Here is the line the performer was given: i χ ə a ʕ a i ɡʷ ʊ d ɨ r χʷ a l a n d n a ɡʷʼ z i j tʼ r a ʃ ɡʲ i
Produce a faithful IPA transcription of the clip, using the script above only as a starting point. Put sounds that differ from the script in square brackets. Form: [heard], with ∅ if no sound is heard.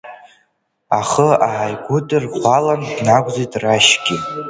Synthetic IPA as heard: [a] χ ə a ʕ a [j] ɡʷ ʊ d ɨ r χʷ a l a n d n a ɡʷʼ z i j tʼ r a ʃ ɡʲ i